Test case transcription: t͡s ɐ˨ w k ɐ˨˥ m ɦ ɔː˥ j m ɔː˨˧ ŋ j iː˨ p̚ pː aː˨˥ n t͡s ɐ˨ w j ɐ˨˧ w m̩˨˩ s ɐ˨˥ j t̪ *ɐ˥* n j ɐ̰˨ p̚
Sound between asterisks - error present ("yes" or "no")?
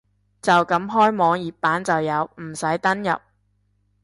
no